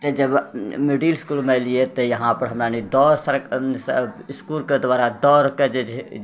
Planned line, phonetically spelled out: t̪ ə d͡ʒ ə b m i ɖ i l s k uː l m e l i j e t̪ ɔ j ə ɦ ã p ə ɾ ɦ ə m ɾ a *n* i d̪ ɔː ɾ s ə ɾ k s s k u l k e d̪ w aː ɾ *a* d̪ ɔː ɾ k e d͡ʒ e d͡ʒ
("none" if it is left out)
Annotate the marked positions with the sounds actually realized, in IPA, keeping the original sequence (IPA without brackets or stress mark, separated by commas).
n, a